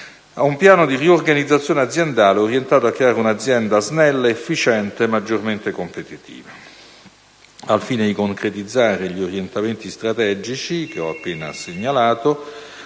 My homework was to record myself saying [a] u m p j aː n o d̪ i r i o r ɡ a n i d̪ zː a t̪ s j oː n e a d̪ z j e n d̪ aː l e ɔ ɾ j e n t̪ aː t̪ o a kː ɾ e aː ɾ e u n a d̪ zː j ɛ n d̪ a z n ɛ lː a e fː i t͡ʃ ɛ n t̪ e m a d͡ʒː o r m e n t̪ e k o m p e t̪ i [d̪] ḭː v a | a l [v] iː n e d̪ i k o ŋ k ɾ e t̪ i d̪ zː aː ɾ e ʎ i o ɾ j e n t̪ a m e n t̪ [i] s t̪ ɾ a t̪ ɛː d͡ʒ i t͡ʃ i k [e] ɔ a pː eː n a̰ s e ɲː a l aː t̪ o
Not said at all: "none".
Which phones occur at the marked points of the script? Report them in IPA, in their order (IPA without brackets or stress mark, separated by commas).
a, t̪, f, i, e